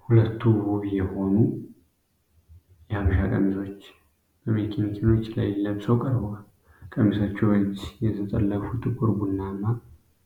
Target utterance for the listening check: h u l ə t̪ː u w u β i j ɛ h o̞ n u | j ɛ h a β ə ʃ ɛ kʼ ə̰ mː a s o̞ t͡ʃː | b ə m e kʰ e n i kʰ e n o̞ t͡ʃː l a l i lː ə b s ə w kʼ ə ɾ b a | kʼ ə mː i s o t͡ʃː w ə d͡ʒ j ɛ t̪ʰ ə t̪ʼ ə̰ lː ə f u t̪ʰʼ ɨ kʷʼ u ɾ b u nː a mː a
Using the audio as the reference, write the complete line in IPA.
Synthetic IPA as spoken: h u l ə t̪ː u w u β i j ɛ h o̞ n u | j ɛ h a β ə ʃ a kʼ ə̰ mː i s o̞ t͡ʃː | b ə m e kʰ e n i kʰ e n o̞ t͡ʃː l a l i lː ə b s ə w kʼ ə ɾ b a | kʼ ə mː i s o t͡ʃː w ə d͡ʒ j ɛ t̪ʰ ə t̪ʼ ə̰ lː ə f u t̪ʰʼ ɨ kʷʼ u ɾ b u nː a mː a

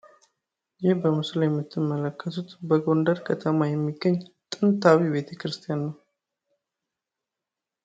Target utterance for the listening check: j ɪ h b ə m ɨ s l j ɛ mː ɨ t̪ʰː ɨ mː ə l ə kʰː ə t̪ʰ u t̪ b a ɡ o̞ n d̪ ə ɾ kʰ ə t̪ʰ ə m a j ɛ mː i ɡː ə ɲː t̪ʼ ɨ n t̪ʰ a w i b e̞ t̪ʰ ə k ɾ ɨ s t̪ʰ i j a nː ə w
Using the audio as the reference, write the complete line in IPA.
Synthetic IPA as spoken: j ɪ h b ə m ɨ s l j ɛ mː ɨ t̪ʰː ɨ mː ə l ə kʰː ə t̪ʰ u t̪ b ə ɡ o̞ n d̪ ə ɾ kʰ ə t̪ʰ ə m a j ɛ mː i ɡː ə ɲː t̪ʼ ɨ n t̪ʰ a w i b e̞ t̪ʰ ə k ɾ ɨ s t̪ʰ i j a nː ə w

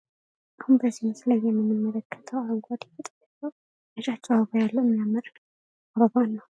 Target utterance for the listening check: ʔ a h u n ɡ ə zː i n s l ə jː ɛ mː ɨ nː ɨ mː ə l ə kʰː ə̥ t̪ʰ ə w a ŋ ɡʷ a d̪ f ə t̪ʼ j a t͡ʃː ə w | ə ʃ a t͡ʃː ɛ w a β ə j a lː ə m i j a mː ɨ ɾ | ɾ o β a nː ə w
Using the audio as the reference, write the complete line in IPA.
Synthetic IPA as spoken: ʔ a h u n b ə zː i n s l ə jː ɛ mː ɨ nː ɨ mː ə l ə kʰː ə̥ t̪ʰ ə w a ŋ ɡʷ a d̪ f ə t̪ʼ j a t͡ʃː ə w | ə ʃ a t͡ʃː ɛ w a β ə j a lː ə m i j a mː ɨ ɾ | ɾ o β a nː ə w

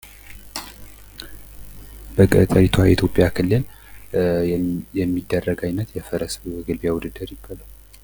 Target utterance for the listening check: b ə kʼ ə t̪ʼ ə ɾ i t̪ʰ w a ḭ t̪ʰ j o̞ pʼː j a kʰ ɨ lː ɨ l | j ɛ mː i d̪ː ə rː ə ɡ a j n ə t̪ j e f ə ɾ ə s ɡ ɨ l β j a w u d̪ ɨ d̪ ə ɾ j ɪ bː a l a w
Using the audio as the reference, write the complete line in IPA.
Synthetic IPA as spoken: b ə kʼ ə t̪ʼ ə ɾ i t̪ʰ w a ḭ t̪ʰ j o̞ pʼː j a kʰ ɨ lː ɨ l | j ɛ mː i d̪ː ə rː ə ɡ a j n ə t̪ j ɛ f ə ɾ ə s ɡ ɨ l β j a w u d̪ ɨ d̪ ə ɾ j ɪ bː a l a w

